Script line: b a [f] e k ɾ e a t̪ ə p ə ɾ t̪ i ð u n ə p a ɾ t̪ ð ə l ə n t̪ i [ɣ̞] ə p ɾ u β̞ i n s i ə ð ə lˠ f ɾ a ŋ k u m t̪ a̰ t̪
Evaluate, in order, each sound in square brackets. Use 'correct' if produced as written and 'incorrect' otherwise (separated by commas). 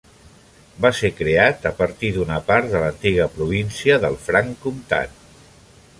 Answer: incorrect, correct